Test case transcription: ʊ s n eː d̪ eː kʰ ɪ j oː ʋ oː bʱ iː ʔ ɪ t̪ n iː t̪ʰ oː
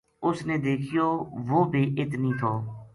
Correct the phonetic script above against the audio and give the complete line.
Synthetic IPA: ʊ s n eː d̪ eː kʰ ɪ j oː ʋ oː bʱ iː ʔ ɪ t̪ n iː t̪ʰ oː